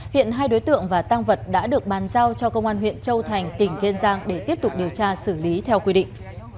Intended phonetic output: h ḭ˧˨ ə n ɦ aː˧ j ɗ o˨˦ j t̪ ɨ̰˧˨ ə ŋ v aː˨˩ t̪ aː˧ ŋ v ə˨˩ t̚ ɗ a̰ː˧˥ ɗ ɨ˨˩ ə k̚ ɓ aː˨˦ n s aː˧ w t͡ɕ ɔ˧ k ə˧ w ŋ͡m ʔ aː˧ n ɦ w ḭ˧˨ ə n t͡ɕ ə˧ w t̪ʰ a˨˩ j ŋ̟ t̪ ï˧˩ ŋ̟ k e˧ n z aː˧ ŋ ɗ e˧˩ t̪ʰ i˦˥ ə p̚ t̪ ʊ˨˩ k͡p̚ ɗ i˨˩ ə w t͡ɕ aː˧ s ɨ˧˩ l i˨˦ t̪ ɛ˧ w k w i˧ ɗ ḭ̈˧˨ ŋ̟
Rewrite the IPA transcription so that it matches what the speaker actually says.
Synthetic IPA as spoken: h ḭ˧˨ ə n ɦ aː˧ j ɗ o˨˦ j t̪ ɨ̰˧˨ ə ŋ v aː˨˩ t̪ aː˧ ŋ v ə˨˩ t̚ ɗ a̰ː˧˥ ɗ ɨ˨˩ ə k̚ ɓ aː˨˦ n z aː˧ w t͡ɕ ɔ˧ k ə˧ w ŋ͡m ʔ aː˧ n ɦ w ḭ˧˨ ə n t͡ɕ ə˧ w t̪ʰ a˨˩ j ŋ̟ t̪ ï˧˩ ŋ̟ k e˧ n z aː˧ ŋ ɗ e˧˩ t̪ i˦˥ ə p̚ t̪ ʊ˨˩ k͡p̚ ɗ i˨˩ ə w t͡ɕ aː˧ s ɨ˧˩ l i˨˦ t̪ʰ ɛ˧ w k w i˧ ɗ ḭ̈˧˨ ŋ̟